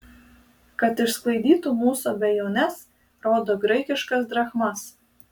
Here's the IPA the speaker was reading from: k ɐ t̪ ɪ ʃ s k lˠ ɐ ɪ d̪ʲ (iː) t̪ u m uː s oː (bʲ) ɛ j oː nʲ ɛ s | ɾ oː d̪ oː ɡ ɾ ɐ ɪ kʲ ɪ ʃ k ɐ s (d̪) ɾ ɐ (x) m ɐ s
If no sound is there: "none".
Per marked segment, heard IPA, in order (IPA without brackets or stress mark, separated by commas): iː, bʲ, d̪, x